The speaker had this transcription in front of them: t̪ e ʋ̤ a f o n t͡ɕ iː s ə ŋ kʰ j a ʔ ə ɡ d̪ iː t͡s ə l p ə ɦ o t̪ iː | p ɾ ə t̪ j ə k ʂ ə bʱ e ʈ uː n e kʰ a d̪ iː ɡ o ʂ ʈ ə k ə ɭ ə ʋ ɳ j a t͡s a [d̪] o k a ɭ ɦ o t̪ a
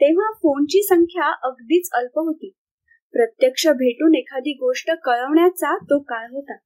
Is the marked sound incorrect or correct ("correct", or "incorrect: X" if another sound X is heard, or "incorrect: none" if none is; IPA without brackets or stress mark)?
incorrect: t̪